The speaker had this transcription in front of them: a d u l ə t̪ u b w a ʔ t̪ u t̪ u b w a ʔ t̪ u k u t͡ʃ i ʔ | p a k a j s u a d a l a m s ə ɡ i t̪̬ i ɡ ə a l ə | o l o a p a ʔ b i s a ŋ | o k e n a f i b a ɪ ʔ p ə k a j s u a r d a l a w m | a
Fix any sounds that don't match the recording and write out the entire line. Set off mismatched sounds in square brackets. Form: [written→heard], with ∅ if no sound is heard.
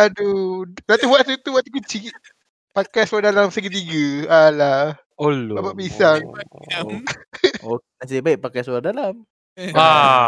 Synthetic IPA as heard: a d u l [ə→a] t̪ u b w a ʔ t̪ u t̪ u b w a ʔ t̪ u k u t͡ʃ i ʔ | p a k a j s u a d a l a m s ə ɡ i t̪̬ i ɡ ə a l [ə→a] | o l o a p a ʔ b i s a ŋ | o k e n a [f→s] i b a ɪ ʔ p [ə→a] k a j s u a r d a l a [w→∅] m | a